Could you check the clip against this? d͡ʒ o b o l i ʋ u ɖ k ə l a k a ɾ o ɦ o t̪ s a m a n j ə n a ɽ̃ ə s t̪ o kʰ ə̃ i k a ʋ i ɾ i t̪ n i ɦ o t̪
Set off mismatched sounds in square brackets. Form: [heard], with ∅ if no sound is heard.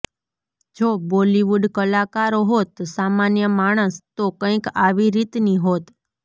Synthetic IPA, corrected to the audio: d͡ʒ o b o l i ʋ u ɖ k ə l a k a ɾ o ɦ o t̪ s a m a n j ə [m] a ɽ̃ ə s t̪ o [k] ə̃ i k a ʋ i ɾ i t̪ n i ɦ o t̪